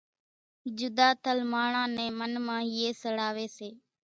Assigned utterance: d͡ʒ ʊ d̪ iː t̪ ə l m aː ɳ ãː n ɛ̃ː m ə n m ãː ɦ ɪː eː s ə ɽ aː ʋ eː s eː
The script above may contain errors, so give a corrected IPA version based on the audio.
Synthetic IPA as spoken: d͡ʒ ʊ d̪ aː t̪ ə l m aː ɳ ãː n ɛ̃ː m ə n m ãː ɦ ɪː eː s ə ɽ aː ʋ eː s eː